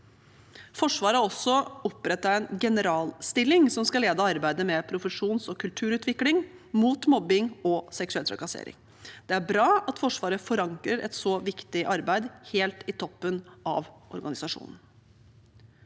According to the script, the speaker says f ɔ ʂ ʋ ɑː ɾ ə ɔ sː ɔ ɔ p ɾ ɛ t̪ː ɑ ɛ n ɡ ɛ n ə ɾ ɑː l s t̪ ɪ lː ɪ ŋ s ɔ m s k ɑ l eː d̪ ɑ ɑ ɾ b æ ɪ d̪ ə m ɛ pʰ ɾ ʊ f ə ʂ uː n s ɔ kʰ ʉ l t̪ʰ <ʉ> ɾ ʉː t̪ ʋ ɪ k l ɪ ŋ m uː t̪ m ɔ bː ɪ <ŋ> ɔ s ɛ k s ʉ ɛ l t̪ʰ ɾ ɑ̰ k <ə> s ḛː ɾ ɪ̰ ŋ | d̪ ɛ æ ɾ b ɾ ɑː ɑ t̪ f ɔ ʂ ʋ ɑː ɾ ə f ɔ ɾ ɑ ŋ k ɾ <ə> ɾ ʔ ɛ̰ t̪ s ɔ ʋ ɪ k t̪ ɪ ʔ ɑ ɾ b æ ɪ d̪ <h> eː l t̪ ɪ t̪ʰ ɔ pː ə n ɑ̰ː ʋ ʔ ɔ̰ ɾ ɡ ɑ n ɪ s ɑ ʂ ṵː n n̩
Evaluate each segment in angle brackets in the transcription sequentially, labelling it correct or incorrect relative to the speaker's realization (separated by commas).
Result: incorrect, correct, incorrect, correct, correct